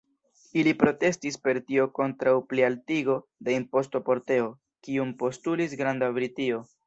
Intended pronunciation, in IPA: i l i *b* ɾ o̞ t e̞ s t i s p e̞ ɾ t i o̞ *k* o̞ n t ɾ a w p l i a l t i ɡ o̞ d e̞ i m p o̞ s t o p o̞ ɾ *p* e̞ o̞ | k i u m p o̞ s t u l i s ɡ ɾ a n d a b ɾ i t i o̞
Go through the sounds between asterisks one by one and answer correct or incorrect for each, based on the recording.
incorrect, correct, incorrect

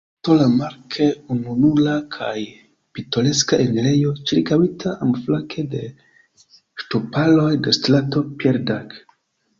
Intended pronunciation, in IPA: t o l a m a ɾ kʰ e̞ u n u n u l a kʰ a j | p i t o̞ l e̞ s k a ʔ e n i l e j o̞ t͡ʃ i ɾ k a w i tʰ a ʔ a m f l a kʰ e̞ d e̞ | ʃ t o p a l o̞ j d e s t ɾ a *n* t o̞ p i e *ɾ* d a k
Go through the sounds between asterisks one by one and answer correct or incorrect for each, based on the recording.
incorrect, correct

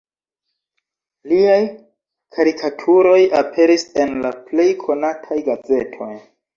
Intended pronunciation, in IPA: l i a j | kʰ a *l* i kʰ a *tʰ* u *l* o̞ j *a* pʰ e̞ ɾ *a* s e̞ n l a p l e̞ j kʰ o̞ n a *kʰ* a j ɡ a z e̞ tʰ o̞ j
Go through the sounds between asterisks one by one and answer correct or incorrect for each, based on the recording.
incorrect, correct, incorrect, correct, incorrect, incorrect

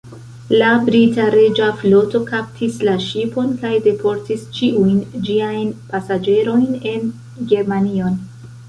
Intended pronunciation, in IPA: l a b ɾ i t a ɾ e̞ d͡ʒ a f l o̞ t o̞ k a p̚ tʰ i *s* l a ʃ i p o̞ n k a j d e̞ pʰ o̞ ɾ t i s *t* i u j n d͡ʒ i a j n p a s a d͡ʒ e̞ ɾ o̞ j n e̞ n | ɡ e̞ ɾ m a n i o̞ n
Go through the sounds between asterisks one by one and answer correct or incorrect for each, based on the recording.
correct, incorrect

